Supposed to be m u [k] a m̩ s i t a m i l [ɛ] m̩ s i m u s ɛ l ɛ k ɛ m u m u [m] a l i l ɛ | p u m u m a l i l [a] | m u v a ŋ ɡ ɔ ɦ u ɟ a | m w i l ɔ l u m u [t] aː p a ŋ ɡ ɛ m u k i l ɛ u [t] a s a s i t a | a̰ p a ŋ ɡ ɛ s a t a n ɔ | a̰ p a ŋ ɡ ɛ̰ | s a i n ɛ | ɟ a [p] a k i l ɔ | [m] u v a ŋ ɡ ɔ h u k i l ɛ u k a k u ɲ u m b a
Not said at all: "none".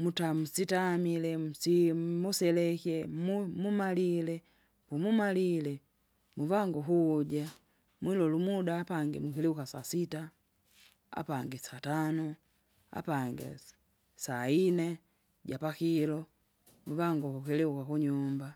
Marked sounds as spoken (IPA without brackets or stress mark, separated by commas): t, ɛ, m, ɛ, d, k, p, m